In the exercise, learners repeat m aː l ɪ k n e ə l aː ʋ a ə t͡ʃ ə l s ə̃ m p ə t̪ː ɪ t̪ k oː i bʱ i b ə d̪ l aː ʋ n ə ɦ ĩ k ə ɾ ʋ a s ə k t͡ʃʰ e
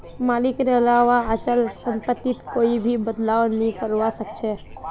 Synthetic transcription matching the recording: m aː l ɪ k n e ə l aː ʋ a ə t͡ʃ ə l s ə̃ m p ə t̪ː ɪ t̪ k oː i bʱ i b ə d̪ l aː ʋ n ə ɦ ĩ k ə ɾ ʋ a s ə k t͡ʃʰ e